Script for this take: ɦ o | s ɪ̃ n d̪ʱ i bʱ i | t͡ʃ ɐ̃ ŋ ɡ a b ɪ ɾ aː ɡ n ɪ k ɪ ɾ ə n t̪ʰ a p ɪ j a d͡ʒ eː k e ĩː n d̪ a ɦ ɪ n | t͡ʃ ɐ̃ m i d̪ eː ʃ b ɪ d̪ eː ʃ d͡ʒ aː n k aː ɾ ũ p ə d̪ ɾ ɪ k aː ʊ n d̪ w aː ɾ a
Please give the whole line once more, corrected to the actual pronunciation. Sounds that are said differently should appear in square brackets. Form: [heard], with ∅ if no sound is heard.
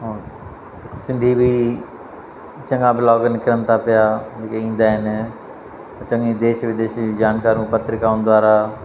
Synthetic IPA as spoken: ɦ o | s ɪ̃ n d̪ʱ i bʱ i | t͡ʃ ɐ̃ ŋ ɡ a b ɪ [l] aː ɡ n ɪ k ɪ ɾ ə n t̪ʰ a p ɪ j a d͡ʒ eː k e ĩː n d̪ a ɦ ɪ n | t͡ʃ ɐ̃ [ŋ] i d̪ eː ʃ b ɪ d̪ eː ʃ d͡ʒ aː n k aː ɾ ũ p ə [t̪] ɾ ɪ k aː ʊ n d̪ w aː ɾ a